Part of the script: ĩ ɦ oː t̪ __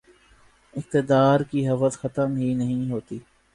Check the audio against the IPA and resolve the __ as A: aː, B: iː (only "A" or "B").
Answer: B